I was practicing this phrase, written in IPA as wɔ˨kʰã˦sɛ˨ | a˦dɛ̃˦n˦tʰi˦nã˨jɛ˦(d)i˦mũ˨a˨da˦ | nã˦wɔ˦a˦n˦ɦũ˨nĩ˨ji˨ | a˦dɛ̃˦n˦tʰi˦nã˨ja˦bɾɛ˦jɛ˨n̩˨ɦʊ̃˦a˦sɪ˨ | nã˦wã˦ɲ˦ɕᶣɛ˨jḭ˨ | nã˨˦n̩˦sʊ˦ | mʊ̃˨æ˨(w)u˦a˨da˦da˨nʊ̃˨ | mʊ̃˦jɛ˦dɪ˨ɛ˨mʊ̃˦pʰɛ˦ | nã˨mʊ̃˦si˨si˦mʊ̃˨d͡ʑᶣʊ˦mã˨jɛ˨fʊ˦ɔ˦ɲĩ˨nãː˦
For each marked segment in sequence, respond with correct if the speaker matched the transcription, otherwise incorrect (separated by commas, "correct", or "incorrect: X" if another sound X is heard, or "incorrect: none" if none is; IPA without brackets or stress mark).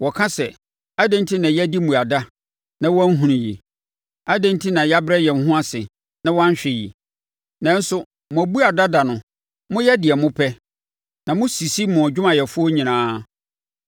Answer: correct, incorrect: b